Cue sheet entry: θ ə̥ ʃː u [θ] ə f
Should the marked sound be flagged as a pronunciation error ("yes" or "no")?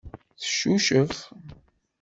yes